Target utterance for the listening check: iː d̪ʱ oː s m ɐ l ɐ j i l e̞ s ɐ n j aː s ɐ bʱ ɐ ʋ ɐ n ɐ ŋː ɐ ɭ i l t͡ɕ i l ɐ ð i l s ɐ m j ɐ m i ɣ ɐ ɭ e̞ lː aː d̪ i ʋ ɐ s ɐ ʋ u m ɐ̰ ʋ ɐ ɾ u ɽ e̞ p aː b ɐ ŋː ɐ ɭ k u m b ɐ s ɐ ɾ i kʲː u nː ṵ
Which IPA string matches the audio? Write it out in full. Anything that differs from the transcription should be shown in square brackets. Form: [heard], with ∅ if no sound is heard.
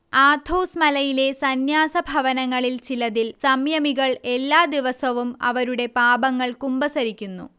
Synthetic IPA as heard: [aː] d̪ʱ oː s m ɐ l ɐ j i l e̞ s ɐ n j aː s ɐ bʱ ɐ ʋ ɐ n ɐ ŋː ɐ ɭ i l t͡ɕ i l ɐ ð i l s ɐ m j ɐ m i ɣ ɐ ɭ e̞ lː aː d̪ i ʋ ɐ s ɐ ʋ u m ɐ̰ ʋ ɐ ɾ u ɽ e̞ p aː b ɐ ŋː ɐ ɭ k u m b ɐ s ɐ ɾ i kʲː u nː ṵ